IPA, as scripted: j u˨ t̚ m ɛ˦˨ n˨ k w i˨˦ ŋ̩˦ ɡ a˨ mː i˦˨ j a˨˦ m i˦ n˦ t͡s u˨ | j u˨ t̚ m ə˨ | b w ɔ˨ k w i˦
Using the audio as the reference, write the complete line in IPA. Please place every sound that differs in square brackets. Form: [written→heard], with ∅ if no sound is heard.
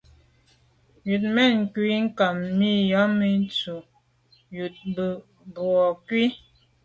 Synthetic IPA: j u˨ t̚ m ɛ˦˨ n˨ k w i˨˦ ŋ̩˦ [ɡ→k] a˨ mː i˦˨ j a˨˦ m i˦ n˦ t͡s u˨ | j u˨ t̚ [m→b] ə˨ | b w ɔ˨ k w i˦